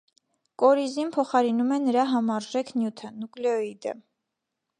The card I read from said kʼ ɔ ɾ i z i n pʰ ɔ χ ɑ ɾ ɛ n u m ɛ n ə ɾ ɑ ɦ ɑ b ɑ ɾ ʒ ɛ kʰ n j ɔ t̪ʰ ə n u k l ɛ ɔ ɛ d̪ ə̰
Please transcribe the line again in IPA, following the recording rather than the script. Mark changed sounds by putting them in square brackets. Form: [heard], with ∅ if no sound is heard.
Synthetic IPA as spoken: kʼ ɔ ɾ i z i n pʰ ɔ χ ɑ ɾ [i] n u m ɛ n ə ɾ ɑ ɦ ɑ [m] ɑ ɾ ʒ ɛ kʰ n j [u] t̪ʰ ə n u k l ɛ ɔ [i] d̪ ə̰